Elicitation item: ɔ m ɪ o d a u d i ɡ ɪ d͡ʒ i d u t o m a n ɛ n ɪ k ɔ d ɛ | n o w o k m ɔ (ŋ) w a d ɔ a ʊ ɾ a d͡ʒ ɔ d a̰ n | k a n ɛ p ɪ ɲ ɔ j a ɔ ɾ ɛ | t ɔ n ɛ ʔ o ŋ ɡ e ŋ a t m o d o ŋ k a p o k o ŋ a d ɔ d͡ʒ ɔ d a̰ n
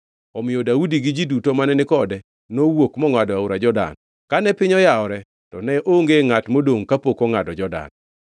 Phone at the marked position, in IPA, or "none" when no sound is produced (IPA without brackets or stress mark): ŋ